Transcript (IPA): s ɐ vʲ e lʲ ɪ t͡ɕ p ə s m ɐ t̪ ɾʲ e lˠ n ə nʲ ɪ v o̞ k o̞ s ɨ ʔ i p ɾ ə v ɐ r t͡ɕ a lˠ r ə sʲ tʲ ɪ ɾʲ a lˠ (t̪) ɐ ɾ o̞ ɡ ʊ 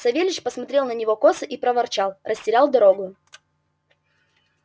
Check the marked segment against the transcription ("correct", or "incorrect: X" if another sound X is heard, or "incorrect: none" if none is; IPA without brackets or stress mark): incorrect: d̪